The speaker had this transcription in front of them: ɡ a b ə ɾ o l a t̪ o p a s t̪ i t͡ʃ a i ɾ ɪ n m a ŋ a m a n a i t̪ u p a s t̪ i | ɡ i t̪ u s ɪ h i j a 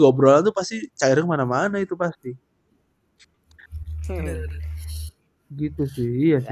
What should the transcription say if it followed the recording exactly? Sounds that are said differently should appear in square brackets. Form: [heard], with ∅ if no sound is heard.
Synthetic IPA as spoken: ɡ a b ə ɾ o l a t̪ [u] p a s t̪ i t͡ʃ a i ɾ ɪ [ŋ] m a [n] a m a n a i t̪ u p a s t̪ i | ɡ i t̪ u s ɪ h i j a